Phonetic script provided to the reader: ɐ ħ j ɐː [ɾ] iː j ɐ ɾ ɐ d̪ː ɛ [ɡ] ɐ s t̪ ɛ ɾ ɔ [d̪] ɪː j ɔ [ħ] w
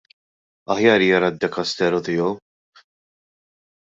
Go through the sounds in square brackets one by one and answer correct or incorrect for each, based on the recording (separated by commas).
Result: correct, incorrect, incorrect, incorrect